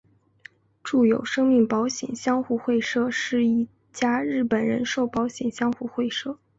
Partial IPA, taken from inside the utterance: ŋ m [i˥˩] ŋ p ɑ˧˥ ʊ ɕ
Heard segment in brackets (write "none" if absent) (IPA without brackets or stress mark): i˥˩